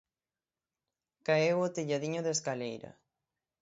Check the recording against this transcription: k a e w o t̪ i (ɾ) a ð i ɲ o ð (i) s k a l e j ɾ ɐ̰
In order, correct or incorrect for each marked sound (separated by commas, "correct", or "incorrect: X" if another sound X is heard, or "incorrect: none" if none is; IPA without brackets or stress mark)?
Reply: incorrect: ʎ, incorrect: e